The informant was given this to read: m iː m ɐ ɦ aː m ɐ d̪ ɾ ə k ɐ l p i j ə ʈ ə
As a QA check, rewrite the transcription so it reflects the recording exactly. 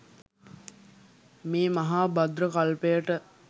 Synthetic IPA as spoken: m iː m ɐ ɦ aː b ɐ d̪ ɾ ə k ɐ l p e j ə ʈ ə

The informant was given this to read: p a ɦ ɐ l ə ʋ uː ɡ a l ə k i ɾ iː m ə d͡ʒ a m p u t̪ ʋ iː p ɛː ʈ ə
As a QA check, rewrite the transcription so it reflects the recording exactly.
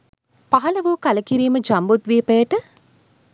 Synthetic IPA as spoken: p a ɦ ɐ l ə ʋ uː k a l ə k i ɾ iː m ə d͡ʒ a m b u t̪ ʋ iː p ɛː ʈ ə

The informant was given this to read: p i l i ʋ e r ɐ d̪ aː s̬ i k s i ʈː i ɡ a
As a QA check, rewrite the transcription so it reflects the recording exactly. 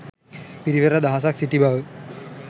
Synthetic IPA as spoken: p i ɾ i ʋ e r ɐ d̪ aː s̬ a k s i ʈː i b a

